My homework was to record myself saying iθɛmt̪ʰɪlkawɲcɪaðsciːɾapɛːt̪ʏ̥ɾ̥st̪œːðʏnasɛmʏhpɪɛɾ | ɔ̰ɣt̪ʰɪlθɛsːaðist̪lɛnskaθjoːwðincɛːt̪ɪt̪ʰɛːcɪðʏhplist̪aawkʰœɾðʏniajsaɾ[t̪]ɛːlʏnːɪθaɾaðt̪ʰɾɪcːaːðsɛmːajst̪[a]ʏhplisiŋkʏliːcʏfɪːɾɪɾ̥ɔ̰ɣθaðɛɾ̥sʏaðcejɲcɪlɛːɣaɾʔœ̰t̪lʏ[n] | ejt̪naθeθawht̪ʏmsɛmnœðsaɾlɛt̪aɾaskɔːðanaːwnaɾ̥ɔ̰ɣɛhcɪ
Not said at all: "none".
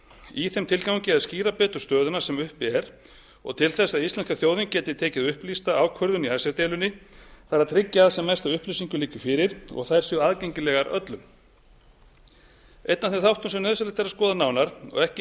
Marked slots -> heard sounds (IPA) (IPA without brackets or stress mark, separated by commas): t̪, a, m